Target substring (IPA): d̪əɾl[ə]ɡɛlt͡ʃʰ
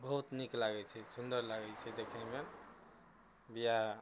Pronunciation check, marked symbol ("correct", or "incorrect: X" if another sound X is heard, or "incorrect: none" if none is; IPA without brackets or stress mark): incorrect: a